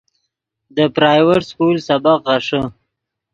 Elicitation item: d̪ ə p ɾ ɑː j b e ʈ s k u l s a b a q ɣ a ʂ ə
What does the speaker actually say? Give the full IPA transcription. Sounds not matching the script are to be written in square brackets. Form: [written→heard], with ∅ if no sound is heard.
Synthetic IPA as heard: d̪ ə p ɾ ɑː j [b→w] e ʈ s k u l s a b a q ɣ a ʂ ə